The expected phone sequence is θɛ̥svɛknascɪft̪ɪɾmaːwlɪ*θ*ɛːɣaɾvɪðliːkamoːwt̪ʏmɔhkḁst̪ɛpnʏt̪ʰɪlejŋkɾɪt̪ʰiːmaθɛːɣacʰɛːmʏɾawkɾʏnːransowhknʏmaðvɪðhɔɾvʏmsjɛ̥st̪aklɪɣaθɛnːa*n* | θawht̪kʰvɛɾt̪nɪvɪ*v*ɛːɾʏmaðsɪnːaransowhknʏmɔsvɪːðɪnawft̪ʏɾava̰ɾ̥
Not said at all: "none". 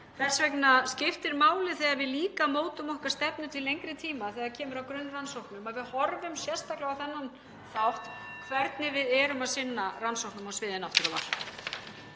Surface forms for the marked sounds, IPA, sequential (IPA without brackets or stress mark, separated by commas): θ, n, ð